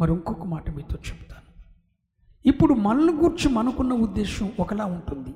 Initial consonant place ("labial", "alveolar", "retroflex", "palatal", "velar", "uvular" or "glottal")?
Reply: labial